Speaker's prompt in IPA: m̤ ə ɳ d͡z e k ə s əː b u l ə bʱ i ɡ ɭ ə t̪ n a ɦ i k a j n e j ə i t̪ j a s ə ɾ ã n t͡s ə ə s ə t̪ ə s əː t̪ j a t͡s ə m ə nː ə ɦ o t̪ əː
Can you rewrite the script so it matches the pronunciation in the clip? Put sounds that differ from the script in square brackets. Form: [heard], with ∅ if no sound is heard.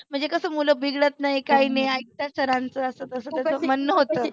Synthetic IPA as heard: m̤ ə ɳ d͡z e k ə s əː [m] u l ə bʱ i ɡ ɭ ə t̪ n a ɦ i k a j n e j [a] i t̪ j a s ə ɾ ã n t͡s ə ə s ə t̪ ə s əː t̪ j a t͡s ə m ə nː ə ɦ o t̪ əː